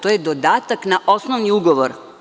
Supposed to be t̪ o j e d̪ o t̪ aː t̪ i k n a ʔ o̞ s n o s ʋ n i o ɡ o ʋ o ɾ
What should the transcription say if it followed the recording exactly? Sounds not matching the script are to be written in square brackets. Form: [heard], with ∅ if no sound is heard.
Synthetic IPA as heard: t̪ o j e d̪ o [d̪] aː t̪ [a] k n a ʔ o̞ s n o [∅] ʋ n i [u] ɡ o ʋ o ɾ